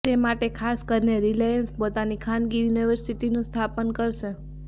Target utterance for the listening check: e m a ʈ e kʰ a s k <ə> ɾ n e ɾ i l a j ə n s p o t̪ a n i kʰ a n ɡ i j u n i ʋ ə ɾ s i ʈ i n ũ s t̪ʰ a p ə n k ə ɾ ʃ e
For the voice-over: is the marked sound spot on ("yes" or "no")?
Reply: yes